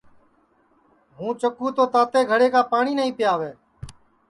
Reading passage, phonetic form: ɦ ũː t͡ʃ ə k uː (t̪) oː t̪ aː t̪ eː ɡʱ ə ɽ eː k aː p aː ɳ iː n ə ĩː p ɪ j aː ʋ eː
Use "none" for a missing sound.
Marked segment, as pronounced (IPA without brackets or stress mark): t̪